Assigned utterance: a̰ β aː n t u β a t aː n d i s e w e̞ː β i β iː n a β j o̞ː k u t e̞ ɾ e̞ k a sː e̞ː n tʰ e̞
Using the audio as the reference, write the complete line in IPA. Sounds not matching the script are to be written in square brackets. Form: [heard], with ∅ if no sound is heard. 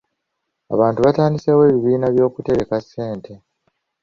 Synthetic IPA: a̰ β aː n t u β a t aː n d i s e w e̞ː β i β iː n a β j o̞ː k u t e̞ ɾ e̞ k a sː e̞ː n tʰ e̞